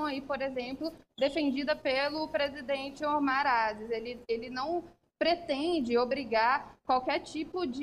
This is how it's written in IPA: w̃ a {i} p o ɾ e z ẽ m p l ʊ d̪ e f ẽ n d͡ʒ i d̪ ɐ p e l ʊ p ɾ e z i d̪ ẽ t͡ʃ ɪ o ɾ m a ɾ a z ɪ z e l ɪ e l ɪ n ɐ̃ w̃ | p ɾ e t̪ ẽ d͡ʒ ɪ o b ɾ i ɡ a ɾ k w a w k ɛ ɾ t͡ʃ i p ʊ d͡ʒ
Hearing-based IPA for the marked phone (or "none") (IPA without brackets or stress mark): i